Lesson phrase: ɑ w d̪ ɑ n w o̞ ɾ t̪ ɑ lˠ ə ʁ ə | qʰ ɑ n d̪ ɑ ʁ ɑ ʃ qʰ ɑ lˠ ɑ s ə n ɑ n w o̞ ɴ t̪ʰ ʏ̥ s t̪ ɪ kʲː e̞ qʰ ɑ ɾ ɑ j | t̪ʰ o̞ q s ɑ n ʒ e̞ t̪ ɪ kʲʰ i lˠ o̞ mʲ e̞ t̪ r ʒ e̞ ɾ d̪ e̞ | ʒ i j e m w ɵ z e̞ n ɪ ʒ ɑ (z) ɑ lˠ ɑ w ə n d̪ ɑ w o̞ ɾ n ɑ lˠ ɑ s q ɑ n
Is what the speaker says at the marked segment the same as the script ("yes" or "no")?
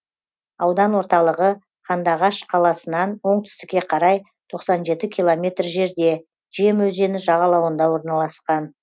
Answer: no